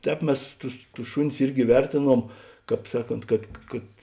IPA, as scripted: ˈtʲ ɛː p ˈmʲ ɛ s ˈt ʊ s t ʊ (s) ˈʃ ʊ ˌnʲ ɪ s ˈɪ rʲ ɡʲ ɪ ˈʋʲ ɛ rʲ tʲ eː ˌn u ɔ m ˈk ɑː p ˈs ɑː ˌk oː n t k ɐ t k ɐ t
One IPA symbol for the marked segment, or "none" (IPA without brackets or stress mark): s